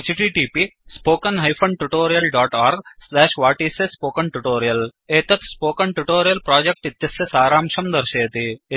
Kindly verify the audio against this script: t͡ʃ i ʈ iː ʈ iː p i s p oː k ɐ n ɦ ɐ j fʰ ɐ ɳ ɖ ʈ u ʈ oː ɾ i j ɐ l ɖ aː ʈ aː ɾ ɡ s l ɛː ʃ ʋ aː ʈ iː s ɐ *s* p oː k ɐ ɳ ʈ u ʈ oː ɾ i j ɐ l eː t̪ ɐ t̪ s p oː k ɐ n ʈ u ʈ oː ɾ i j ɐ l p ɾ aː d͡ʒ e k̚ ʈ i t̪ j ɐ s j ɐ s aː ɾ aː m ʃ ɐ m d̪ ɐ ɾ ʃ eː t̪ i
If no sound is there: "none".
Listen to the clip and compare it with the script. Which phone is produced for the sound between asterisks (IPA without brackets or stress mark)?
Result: s